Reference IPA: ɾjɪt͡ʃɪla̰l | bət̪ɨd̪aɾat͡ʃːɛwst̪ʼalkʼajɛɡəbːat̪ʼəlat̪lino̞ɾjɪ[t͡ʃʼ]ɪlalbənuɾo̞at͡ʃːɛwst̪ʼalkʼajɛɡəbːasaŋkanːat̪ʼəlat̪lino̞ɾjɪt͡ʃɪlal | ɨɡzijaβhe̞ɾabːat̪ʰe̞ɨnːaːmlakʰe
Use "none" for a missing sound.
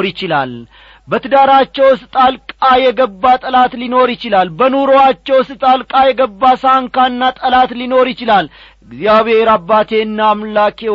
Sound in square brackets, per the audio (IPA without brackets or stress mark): t͡ʃ